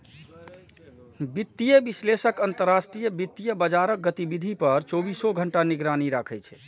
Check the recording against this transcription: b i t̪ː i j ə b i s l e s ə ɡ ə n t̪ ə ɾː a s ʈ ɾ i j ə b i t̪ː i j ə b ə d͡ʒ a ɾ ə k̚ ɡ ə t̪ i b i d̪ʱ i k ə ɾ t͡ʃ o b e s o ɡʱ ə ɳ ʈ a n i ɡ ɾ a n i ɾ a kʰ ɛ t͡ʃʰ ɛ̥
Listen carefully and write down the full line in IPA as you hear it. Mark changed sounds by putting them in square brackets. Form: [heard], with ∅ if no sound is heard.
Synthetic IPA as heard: b i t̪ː i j ə b i s l e s ə [k] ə n t̪ ə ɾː a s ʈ ɾ i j ə b i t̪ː i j ə b ə d͡ʒ a ɾ ə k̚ ɡ ə t̪ i b i d̪ʱ i [p] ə ɾ t͡ʃ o b [i] s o ɡʱ ə ɳ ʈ a n i ɡ ɾ a n i ɾ a kʰ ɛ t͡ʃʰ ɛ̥